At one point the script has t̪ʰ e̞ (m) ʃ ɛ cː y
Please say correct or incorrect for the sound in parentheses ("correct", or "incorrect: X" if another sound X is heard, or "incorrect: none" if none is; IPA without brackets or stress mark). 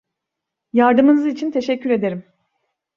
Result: incorrect: none